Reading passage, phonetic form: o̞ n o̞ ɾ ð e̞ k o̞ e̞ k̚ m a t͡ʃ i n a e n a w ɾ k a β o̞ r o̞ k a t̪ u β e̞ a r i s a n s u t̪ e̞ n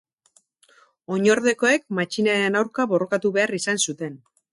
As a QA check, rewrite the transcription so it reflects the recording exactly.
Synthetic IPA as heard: o̞ ɲ o̞ ɾ ð e̞ k o̞ e̞ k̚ m a t͡ʃ i n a e n a w ɾ k a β o̞ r o̞ k a t̪ u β e̞ a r i s a n s u t̪ e̞ n